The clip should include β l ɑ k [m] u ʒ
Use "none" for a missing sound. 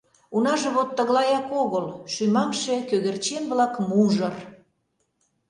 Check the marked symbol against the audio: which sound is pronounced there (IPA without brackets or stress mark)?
m